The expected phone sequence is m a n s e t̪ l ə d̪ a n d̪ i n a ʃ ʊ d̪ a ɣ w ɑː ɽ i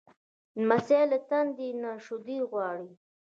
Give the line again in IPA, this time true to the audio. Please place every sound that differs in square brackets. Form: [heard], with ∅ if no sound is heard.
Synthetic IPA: m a [∅] s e [∅] l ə [t̪] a n d̪ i n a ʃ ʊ d̪ [i] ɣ w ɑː ɽ i